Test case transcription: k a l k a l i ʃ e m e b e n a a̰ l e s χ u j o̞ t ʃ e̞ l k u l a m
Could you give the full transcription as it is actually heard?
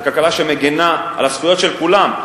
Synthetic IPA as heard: k a l k a l a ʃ e m e ɡ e n a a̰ l a s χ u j o̞ t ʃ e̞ l k u l a m